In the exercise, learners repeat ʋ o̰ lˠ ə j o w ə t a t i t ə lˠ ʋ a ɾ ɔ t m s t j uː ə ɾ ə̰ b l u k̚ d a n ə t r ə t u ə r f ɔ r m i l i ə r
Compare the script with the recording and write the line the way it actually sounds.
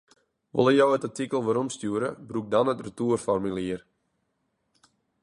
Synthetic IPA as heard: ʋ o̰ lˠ ə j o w ə t a t i k ə lˠ ʋ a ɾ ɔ m s t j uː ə ɾ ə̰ b r u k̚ d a n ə t r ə t u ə r f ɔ r m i l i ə r

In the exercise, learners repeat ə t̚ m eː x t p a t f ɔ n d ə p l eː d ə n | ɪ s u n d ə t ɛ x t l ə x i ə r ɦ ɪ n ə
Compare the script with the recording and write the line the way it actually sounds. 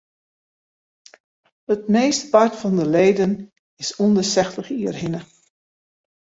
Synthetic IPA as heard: ə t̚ m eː s t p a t f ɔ n d ə l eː d ə n | ɪ s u n d ə s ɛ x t l ə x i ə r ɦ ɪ n ə

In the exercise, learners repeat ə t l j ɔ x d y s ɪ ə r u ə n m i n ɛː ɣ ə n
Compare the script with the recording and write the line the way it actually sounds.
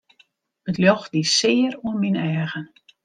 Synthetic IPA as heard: ə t l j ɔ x d i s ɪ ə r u ə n m i n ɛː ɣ ə n

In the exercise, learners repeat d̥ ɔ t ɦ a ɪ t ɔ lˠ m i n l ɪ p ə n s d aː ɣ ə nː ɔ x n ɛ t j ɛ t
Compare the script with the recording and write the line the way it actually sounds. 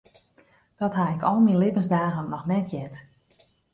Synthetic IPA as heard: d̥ ɔ t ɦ a ɪ k ɔ lˠ m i n l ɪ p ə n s d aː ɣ ə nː ɔ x n ɛ t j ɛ t

